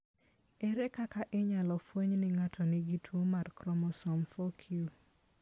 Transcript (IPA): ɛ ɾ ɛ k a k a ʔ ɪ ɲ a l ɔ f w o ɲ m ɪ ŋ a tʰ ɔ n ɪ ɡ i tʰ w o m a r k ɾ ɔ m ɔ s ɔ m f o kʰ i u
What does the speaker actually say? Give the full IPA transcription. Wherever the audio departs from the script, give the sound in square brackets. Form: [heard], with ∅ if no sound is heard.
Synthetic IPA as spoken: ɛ ɾ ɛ k a k a ʔ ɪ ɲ a l ɔ f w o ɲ [n] ɪ ŋ a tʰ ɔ n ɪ ɡ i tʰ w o m a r k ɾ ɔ m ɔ s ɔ m f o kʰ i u